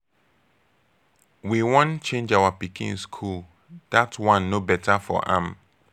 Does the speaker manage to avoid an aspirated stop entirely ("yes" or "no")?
no